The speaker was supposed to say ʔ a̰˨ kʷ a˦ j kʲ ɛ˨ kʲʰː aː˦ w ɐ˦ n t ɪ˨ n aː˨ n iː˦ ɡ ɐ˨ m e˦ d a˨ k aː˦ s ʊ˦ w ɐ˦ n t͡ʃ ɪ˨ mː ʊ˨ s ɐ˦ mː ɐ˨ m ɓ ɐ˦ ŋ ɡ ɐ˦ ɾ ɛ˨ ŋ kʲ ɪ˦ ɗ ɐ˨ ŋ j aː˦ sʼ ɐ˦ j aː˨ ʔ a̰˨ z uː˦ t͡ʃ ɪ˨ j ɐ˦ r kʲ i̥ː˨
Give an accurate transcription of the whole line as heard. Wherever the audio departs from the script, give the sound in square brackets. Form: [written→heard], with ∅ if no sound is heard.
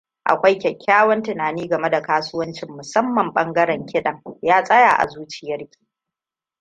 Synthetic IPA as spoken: ʔ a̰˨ kʷ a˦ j kʲ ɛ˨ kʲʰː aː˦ w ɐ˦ n t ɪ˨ n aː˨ n iː˦ ɡ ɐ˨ m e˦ d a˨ k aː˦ s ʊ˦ w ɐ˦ n t͡ʃ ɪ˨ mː ʊ˨ s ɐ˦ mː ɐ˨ m ɓ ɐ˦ ŋ ɡ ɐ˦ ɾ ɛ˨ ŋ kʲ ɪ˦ ɗ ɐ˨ ŋ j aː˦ sʼ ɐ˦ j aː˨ ʔ a̰˨ z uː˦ t͡ʃ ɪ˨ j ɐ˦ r kʲ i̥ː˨